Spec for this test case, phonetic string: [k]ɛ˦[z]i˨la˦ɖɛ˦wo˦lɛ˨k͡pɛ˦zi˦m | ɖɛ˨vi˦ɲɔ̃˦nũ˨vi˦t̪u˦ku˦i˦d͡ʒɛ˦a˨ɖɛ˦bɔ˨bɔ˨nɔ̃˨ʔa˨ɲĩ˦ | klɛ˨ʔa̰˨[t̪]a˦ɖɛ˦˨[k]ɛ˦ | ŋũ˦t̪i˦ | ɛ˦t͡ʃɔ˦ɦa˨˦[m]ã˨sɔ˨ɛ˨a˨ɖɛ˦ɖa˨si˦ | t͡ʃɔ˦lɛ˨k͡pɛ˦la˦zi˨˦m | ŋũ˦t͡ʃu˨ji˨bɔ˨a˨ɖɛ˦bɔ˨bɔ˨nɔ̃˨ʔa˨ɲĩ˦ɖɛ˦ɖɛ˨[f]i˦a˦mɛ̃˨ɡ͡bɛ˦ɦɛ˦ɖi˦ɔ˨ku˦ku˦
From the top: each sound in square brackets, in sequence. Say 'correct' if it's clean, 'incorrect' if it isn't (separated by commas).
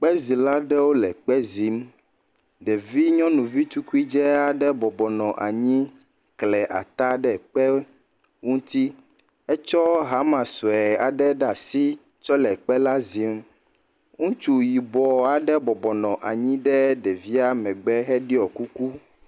incorrect, correct, correct, incorrect, correct, incorrect